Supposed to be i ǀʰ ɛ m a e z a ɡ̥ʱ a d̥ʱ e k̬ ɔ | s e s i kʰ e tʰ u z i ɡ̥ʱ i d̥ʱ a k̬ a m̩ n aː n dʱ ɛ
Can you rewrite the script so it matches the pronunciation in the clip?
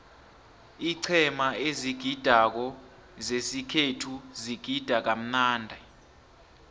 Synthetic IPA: i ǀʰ ɛ m a e z i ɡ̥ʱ i d̥ʱ a k̬ ɔ | z e s i kʰ e tʰ u z i ɡ̥ʱ i d̥ʱ a k̬ a m̩ n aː n dʱ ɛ